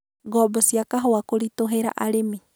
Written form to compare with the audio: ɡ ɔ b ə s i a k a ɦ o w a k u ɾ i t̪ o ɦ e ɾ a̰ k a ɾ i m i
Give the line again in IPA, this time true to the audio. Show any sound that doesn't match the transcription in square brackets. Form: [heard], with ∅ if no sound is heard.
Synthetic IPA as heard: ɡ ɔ b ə s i a k a ɦ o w a k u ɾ i t̪ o ɦ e ɾ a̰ [ʔ] a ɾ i m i